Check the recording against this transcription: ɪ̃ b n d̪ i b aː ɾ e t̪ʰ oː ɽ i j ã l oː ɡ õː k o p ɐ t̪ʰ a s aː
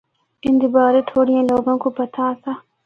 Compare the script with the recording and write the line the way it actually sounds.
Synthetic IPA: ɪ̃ n d̪ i b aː ɾ e t̪ʰ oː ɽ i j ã l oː ɡ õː k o p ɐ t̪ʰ a s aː